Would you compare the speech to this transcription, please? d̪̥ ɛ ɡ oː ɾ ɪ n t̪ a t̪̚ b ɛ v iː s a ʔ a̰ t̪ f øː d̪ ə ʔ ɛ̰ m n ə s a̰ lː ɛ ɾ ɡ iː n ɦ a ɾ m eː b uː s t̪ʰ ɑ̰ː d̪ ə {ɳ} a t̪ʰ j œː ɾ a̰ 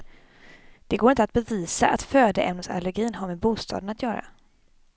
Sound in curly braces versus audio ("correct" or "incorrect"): incorrect